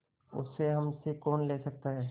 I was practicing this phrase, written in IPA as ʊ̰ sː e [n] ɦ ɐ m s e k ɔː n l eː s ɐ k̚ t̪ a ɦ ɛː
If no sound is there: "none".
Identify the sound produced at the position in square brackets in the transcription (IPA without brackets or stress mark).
none